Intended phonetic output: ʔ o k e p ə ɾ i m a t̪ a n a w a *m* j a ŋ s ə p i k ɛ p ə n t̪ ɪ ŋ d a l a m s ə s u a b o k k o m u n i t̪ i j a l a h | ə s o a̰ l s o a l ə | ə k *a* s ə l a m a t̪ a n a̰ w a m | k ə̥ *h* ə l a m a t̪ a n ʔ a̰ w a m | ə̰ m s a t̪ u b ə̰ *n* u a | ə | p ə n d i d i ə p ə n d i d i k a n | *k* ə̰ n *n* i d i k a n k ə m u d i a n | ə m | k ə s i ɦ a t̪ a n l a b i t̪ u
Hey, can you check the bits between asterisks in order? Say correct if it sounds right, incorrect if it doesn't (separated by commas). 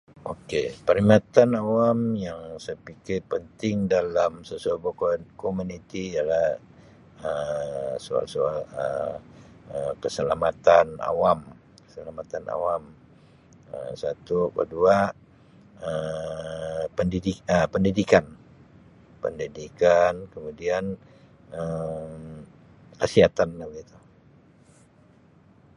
correct, incorrect, incorrect, incorrect, incorrect, incorrect